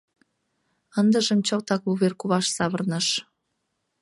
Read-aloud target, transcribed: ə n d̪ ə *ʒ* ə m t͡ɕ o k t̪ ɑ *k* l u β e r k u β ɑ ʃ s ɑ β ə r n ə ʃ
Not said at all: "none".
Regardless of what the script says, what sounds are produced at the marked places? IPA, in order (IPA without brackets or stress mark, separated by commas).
ʒ, k